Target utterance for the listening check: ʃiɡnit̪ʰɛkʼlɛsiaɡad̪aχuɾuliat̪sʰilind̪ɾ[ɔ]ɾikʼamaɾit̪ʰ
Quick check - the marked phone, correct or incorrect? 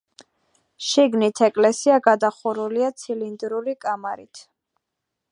incorrect